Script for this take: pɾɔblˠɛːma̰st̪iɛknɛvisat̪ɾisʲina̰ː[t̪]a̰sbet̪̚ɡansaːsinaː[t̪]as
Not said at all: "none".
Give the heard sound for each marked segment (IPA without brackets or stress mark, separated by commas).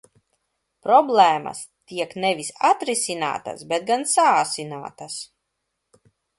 t̪, t̪